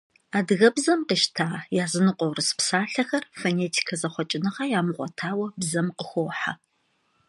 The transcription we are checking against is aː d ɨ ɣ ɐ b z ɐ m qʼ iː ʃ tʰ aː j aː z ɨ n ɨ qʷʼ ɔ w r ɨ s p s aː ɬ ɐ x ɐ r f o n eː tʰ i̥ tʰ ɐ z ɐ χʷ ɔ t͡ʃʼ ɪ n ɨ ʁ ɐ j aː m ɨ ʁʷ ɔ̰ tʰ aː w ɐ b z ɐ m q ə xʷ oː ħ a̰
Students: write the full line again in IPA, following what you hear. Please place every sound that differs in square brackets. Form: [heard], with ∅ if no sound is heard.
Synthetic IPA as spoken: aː d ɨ ɣ ɐ b z ɐ m [q] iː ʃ tʰ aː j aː z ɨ n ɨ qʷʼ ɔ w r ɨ s p s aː ɬ ɐ x ɐ r f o n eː tʰ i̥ [kʰ] ɐ z ɐ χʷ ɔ t͡ʃʼ ɪ n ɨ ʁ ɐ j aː m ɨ ʁʷ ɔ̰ tʰ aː w ɐ b z ɐ m q ə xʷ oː ħ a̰